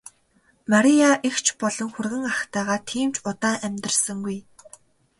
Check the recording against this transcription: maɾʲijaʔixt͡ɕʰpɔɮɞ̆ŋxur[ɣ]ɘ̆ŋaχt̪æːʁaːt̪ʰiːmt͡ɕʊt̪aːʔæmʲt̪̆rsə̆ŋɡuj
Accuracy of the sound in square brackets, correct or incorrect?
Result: correct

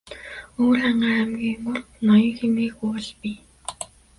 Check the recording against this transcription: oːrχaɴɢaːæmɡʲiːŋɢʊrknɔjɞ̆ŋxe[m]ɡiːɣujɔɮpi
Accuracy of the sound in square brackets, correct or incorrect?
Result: correct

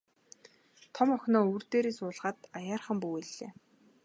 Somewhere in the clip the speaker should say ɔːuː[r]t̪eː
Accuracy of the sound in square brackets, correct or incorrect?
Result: correct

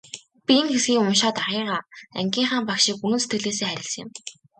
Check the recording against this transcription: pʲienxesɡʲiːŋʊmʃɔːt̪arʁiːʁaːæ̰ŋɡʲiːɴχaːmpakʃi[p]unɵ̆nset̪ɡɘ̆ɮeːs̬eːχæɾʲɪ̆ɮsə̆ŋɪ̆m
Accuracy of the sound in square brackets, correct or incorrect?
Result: incorrect: k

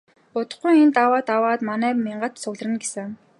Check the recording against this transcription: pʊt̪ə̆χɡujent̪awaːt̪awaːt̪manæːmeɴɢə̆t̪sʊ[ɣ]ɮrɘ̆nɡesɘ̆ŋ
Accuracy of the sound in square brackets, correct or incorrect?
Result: correct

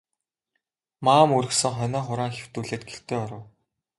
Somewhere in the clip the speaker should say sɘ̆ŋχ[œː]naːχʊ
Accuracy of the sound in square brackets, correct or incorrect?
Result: incorrect: œ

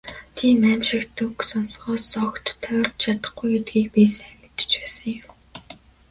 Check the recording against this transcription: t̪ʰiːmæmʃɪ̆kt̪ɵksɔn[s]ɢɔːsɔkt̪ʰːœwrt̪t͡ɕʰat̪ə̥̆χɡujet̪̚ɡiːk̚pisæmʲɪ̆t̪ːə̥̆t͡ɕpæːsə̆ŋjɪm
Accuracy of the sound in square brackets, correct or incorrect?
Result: correct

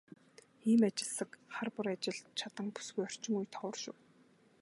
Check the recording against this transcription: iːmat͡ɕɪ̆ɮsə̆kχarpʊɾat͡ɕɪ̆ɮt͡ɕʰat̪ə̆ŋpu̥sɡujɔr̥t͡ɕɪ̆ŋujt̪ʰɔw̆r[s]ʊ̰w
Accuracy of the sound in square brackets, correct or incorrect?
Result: incorrect: ʃ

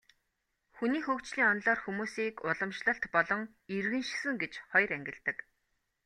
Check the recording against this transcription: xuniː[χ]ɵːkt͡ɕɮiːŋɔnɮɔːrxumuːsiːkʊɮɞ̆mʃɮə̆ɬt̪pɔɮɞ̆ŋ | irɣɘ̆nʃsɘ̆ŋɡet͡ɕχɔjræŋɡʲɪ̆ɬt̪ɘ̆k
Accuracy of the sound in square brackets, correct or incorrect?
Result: incorrect: x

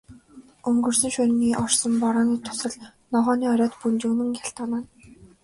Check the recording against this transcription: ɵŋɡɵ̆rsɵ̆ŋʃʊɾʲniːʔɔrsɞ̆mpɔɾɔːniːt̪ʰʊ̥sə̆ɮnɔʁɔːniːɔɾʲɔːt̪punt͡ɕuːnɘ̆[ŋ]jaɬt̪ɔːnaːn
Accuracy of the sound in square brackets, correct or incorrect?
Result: correct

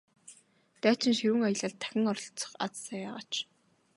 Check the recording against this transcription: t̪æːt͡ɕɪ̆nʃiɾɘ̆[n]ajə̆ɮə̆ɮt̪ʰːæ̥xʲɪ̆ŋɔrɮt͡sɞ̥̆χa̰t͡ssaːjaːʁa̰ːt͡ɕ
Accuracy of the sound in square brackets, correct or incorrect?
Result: incorrect: ŋ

